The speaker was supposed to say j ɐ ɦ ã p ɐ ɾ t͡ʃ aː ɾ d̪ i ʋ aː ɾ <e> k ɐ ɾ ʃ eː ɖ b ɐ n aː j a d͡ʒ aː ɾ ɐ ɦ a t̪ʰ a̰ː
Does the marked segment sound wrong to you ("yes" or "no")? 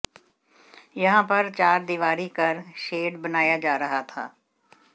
yes